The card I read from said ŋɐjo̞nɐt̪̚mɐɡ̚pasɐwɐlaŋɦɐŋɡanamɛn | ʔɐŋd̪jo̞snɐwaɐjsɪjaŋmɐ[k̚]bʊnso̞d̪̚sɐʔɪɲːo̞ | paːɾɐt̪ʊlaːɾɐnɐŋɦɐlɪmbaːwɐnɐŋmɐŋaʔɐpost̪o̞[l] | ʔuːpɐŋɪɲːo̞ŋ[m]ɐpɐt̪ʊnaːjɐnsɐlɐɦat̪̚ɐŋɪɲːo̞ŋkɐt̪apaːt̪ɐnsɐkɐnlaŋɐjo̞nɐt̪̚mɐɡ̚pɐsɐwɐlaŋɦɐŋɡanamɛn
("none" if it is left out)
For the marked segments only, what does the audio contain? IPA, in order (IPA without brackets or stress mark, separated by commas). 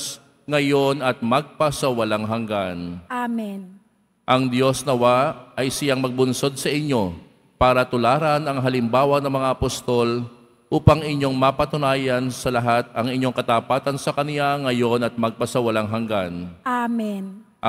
ɡ̚, l, m